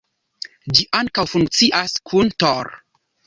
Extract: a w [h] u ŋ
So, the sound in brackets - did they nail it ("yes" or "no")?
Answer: no